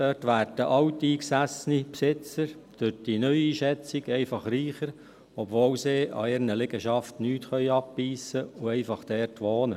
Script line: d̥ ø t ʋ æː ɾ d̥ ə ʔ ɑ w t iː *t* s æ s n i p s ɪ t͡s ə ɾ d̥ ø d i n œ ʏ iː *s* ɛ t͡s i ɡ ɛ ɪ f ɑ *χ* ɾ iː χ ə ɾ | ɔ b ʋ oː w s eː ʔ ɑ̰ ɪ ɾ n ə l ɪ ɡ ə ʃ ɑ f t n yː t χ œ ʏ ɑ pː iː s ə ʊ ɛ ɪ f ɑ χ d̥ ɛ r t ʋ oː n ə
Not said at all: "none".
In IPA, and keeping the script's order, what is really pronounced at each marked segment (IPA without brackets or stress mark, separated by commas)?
k, ʃ, χ